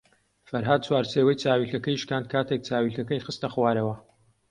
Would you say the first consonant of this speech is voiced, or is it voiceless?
voiceless